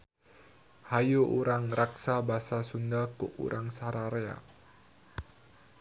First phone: h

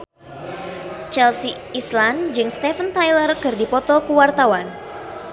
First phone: t͡ʃ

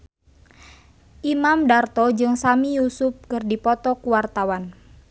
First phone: ʔ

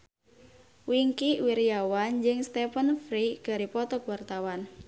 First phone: w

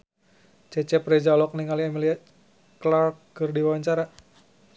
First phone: t͡ʃ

